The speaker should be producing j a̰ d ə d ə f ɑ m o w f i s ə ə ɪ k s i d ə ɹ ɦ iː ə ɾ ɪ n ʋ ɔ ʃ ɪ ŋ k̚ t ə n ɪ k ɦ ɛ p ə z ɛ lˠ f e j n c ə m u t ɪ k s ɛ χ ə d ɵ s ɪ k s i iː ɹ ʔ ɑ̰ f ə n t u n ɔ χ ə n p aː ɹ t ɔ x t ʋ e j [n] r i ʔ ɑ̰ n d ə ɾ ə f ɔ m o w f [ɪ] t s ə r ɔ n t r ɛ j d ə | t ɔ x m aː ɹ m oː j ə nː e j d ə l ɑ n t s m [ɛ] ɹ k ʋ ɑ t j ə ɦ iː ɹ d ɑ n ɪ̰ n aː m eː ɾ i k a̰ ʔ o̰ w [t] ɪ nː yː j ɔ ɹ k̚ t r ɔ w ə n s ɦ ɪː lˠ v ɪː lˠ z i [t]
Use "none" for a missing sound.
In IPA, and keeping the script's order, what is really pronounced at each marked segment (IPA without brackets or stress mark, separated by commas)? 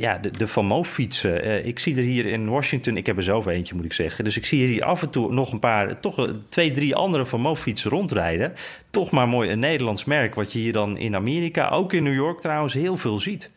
d, i, ɛ, k, t